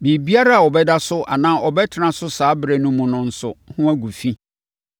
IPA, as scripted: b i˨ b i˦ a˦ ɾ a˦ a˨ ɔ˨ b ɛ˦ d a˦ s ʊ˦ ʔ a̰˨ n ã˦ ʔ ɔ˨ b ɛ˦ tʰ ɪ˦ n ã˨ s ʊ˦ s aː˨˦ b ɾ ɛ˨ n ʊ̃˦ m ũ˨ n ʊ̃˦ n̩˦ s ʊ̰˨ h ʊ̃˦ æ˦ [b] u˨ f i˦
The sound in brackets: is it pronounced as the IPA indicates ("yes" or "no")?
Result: no